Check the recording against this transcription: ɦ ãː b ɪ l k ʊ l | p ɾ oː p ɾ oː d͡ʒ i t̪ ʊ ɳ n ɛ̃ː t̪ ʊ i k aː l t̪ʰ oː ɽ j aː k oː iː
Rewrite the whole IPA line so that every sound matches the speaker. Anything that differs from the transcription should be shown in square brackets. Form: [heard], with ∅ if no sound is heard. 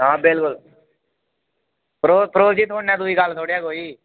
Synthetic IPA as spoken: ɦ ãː b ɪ l k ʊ l | p ɾ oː p ɾ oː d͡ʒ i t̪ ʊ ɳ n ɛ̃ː [d̪] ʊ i k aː l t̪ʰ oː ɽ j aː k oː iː